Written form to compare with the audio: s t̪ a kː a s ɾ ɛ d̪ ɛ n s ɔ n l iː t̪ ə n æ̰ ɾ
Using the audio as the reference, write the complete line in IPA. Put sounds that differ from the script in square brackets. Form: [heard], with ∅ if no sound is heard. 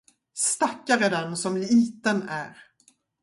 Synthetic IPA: s t̪ a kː a [∅] ɾ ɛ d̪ ɛ n s ɔ [m] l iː t̪ ə n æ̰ ɾ